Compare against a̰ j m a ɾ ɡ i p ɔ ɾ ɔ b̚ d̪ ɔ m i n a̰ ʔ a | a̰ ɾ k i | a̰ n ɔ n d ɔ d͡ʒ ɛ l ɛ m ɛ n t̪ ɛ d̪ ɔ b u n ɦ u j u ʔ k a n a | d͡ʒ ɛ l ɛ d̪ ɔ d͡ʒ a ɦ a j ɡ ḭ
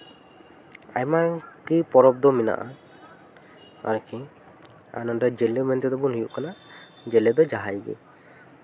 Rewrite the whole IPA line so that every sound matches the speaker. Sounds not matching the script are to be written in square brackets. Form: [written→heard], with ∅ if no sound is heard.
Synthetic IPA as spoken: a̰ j m a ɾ [ɡ→k] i p ɔ ɾ ɔ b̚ d̪ ɔ m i n a̰ ʔ a | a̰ ɾ k i | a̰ n ɔ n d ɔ d͡ʒ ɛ l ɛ m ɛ n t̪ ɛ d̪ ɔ b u n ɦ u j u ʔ k a n a | d͡ʒ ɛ l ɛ d̪ ɔ d͡ʒ a ɦ a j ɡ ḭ